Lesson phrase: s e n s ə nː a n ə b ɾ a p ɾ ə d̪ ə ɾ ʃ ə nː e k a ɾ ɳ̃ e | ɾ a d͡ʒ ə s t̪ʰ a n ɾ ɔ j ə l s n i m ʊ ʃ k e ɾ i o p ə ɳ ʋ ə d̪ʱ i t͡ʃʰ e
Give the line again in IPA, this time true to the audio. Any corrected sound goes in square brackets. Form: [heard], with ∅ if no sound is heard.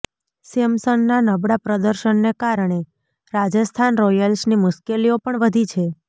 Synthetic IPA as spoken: s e [m] s ə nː a n ə b [ɽ] a p ɾ ə d̪ ə ɾ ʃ ə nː e k a ɾ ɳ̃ e | ɾ a d͡ʒ ə s t̪ʰ a n ɾ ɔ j ə l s n i m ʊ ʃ k e [l] i o p ə ɳ ʋ ə d̪ʱ i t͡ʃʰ e